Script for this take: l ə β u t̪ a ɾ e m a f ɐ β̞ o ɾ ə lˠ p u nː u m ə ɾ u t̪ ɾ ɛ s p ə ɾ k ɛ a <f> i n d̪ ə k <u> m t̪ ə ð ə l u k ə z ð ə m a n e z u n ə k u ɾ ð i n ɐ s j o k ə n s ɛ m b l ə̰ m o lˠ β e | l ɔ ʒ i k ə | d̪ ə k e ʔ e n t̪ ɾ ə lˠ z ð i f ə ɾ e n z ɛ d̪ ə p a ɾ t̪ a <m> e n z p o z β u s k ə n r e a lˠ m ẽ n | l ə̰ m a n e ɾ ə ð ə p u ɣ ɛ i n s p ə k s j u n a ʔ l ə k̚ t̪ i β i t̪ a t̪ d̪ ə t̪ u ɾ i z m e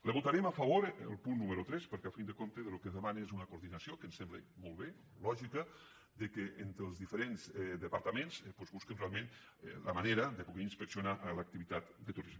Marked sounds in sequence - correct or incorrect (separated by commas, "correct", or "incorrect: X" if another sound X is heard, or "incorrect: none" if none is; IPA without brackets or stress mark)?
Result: correct, incorrect: o, correct